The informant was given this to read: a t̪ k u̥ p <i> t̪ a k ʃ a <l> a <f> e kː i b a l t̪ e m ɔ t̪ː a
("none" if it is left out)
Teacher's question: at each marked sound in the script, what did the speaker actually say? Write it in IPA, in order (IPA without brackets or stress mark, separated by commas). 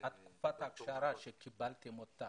a, ɾ, ʃ